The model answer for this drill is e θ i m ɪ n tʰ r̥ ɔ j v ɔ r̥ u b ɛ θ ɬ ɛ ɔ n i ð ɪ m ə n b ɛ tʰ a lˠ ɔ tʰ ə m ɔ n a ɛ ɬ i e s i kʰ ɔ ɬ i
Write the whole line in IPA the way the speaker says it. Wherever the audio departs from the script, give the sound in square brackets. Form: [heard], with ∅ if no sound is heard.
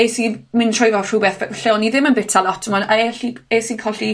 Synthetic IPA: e [s] i m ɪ n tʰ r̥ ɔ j v ɔ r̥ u b ɛ θ ɬ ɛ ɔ n i ð ɪ m ə n b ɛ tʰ a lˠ ɔ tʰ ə m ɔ n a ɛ ɬ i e s i kʰ ɔ ɬ i